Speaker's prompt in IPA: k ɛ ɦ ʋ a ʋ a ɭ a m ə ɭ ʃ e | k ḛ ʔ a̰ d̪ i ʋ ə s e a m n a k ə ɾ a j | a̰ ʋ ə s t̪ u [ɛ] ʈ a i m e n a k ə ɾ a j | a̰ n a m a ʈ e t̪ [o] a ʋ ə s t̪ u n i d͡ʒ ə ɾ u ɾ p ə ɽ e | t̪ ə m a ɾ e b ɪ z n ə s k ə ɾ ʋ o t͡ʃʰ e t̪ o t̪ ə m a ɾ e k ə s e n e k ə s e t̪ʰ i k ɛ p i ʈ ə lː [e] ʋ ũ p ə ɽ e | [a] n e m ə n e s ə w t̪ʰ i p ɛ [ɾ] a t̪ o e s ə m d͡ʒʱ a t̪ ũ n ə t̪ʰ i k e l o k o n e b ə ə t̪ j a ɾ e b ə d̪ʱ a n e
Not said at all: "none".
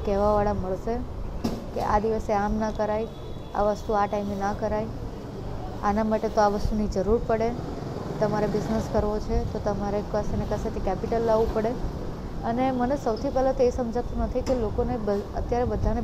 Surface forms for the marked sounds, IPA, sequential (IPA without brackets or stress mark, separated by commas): a, o, a, ə, l